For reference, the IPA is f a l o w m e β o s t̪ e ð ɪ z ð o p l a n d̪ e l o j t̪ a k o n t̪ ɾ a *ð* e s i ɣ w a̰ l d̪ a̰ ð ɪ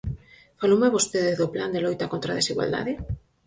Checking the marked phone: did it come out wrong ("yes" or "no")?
no